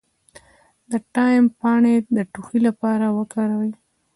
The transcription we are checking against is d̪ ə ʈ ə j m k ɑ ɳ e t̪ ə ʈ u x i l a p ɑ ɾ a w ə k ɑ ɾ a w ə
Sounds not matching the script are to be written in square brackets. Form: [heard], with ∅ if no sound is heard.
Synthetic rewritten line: d̪ ə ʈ [ɑ] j m [p] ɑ ɳ e [d̪] ə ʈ u x i l a p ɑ ɾ a w ə k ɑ ɾ a w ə